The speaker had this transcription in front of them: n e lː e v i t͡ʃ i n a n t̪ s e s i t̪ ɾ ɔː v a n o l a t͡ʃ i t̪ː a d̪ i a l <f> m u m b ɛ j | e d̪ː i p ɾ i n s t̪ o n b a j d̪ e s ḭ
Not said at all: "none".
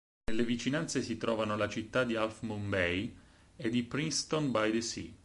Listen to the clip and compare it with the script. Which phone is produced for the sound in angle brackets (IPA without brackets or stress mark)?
f